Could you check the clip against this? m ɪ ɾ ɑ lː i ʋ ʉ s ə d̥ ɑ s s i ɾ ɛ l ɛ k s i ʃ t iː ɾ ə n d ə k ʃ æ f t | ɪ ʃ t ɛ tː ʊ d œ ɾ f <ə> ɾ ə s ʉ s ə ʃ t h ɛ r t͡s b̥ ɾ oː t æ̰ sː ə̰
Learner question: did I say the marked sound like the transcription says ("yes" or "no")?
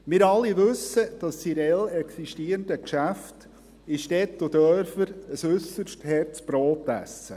yes